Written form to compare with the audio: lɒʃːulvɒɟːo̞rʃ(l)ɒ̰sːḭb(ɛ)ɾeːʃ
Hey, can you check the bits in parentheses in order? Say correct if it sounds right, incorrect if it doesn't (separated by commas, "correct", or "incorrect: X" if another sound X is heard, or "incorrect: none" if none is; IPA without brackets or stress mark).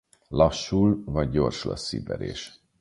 correct, correct